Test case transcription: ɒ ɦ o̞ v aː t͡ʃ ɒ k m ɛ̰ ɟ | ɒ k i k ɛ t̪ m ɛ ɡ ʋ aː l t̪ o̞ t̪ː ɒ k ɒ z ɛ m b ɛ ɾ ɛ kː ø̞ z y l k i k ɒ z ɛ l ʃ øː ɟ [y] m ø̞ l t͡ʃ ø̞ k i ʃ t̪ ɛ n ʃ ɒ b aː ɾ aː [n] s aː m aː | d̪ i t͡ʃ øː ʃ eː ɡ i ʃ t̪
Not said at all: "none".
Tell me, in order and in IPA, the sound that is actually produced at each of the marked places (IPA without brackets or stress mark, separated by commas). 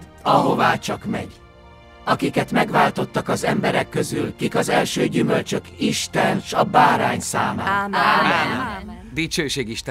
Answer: y, ɲ